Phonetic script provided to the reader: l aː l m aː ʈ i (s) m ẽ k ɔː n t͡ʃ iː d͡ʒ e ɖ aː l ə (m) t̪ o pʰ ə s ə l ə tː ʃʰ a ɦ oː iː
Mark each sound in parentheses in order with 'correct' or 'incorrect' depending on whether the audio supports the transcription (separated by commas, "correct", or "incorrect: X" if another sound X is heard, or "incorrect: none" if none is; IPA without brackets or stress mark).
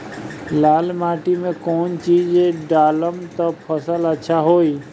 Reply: incorrect: none, correct